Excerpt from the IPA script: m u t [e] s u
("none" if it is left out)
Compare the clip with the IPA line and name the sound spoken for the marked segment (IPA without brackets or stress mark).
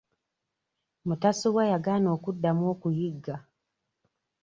a